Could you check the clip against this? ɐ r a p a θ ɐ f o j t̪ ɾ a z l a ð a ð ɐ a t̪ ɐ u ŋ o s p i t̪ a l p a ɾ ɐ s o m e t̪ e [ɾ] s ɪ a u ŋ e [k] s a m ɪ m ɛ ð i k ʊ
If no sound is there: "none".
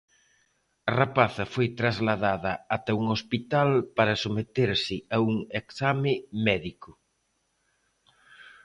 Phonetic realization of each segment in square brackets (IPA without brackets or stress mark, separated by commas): ɾ, k